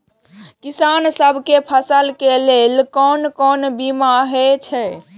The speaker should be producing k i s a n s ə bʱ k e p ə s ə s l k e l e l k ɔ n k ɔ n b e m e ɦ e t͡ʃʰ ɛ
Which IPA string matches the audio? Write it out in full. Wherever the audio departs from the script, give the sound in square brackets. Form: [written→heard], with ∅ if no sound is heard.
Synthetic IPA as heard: k i s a n s ə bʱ k e [p→pʰ] ə s ə [s→∅] l k e l e l k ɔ n k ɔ n b [e→i] m [e→a] ɦ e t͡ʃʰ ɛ